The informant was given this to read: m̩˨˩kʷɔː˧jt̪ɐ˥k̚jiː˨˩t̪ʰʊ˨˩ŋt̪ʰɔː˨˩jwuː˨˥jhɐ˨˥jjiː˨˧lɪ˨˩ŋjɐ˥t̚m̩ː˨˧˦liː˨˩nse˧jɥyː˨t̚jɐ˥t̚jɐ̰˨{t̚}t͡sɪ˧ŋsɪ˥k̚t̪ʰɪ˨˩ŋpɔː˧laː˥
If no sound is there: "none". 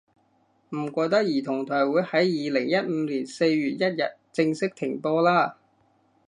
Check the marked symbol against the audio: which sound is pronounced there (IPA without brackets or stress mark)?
t̚